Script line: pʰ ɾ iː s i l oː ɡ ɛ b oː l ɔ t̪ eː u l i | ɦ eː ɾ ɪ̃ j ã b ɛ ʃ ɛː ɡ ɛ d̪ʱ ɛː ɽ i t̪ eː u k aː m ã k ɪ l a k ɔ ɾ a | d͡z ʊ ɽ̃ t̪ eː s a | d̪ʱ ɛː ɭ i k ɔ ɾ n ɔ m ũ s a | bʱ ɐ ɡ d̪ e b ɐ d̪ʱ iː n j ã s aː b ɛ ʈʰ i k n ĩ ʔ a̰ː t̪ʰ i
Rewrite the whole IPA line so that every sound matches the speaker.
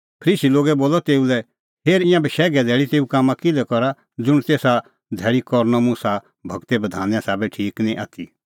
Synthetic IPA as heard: pʰ ɾ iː s i l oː ɡ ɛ b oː l ɔ t̪ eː u l ɛ | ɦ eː ɾ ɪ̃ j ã b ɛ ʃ ɛː ɡ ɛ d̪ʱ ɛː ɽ i t̪ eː u k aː m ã k ɪ l ɛ k ɔ ɾ a | d͡z ʊ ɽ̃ t̪ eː s a | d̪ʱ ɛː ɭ i k ɔ ɾ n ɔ m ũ s a | bʱ ɐ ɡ t̪ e b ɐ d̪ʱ aː n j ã s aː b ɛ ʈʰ iː k n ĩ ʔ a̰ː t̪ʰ i